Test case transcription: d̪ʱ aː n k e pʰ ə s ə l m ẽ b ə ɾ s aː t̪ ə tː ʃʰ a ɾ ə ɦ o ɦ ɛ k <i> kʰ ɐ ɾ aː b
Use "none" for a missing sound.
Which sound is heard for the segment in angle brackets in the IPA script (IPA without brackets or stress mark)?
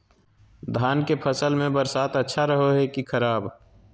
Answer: i